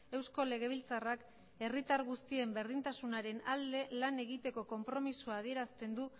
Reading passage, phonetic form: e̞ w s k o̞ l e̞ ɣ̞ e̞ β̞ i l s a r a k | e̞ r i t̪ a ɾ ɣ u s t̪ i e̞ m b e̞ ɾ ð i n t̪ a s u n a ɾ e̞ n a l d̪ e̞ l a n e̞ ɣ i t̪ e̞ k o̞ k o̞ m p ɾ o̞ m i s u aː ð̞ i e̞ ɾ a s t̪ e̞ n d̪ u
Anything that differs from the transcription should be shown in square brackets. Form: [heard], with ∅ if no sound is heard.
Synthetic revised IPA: e̞ w s k o̞ l e̞ ɣ̞ e̞ β̞ i l [t͡s] a r a k | e̞ r i t̪ a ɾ ɣ u s t̪ i e̞ m b e̞ ɾ ð i n t̪ a s u n a ɾ e̞ n a l d̪ e̞ l a n e̞ ɣ i t̪ e̞ k o̞ k o̞ m p ɾ o̞ m i s u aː ð̞ i e̞ ɾ a s t̪ e̞ n d̪ u